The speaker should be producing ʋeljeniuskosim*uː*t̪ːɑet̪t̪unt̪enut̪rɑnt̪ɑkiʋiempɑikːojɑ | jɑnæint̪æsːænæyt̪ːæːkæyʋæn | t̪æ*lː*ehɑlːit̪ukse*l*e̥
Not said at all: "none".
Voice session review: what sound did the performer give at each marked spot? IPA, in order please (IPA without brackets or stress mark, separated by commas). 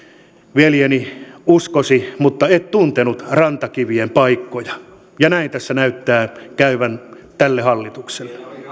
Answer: u, lː, lː